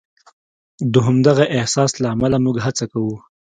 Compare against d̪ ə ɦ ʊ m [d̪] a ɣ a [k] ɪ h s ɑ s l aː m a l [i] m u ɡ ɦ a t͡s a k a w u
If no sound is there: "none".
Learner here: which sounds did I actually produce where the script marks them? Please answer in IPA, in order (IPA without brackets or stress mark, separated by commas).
d̪, ʔ, a